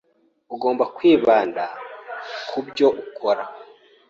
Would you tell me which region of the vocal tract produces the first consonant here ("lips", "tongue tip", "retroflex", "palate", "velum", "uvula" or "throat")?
velum